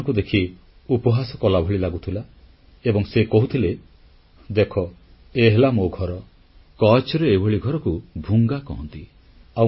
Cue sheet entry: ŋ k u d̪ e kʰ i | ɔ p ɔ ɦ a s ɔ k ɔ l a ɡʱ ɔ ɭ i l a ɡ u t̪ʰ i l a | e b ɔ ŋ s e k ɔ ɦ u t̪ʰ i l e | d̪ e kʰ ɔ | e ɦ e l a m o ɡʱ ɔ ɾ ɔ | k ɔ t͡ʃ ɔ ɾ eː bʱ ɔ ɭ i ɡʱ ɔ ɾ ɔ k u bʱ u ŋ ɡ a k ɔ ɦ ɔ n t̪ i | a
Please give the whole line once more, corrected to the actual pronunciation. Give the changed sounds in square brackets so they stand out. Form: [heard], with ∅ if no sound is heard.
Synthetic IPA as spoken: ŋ k u d̪ e kʰ i | [u] p ɔ ɦ a s ɔ k ɔ l a [bʱ] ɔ ɭ i l a ɡ u t̪ʰ i l a | e b ɔ ŋ s e k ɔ ɦ u t̪ʰ i l e | d̪ e kʰ ɔ | e ɦ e l a m o ɡʱ ɔ ɾ ɔ | k ɔ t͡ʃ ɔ ɾ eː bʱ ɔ ɭ i ɡʱ ɔ ɾ ɔ k u bʱ u ŋ ɡ a k ɔ ɦ ɔ n t̪ i | a